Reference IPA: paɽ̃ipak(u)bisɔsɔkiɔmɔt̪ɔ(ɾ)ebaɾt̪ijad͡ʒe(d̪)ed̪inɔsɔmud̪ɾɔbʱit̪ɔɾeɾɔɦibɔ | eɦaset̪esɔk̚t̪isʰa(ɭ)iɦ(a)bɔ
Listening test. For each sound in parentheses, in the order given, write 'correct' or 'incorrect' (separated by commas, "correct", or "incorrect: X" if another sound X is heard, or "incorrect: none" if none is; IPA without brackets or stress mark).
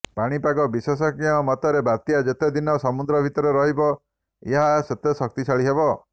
incorrect: ɔ, correct, incorrect: t̪, correct, incorrect: e